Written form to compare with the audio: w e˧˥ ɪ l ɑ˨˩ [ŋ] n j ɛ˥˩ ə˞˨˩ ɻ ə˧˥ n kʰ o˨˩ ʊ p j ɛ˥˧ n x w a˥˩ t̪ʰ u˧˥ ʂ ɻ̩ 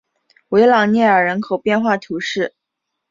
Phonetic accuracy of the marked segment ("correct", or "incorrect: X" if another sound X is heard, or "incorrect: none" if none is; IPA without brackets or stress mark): correct